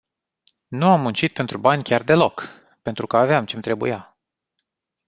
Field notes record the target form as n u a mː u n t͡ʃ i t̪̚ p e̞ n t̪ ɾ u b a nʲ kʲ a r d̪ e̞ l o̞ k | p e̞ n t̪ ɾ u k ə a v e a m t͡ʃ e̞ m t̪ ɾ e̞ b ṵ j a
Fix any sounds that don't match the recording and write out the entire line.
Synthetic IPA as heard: n u a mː u n t͡ʃ i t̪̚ p e̞ n t̪ ɾ u b a nʲ kʲ a r d̪ e̞ l o̞ k | p e̞ n t̪ ɾ u k ə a v e a m t͡ʃ e̞ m t̪ ɾ e̞ b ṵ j a